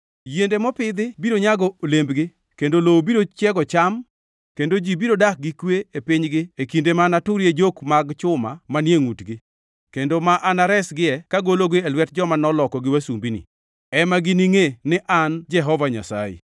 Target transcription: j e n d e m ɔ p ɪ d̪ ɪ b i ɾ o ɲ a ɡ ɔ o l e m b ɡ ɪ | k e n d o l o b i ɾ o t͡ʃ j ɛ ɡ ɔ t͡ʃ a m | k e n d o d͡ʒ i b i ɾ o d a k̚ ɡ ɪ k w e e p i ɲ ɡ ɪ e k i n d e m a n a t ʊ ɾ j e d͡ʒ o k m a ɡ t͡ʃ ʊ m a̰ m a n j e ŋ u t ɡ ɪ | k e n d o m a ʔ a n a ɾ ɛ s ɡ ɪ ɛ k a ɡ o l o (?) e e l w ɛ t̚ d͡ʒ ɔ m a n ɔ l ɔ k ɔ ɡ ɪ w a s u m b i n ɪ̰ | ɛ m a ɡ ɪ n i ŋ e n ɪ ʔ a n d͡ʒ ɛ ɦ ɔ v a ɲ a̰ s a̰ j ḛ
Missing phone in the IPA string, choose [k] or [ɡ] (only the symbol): ɡ